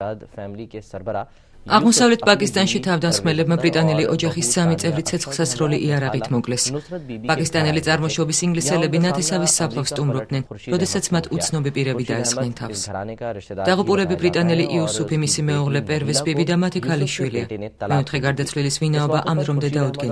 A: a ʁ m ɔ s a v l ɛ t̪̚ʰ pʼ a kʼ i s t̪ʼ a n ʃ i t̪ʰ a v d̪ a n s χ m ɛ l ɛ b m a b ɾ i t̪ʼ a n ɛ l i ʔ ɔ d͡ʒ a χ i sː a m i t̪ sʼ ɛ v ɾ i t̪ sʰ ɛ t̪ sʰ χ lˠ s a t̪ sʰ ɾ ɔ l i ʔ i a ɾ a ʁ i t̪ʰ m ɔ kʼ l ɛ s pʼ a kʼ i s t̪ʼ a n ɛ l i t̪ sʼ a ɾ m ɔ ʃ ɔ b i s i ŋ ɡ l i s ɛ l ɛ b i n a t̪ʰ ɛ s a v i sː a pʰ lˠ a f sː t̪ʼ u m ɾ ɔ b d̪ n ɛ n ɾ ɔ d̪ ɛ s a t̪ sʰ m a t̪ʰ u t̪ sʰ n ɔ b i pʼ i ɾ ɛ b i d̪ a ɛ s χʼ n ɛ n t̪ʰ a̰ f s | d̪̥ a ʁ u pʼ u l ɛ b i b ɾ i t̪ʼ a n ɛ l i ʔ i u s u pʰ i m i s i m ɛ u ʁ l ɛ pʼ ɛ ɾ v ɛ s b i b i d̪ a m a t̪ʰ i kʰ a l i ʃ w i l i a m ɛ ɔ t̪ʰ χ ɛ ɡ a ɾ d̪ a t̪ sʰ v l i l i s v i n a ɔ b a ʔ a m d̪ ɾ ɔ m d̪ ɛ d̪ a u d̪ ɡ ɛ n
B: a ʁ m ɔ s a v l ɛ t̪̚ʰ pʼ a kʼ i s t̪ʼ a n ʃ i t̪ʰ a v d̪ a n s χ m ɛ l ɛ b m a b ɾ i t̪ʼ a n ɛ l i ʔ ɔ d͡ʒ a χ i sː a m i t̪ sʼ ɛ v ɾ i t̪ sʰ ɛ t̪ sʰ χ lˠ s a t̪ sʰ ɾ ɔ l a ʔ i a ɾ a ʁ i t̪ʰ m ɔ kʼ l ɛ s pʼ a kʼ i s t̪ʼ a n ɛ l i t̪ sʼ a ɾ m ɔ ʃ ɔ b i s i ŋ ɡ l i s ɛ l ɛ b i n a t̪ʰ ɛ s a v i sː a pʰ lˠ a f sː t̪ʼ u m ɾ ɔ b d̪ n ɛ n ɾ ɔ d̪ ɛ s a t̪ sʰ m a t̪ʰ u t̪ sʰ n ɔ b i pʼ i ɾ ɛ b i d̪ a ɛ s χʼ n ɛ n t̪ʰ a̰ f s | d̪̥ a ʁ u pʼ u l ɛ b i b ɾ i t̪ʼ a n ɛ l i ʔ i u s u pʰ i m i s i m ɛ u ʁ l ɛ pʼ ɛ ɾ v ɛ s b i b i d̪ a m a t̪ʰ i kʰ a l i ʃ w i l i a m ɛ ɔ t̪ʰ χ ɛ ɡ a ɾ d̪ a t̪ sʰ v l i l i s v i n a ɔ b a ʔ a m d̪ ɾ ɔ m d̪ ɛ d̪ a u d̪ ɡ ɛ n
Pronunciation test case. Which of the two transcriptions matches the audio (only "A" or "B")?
A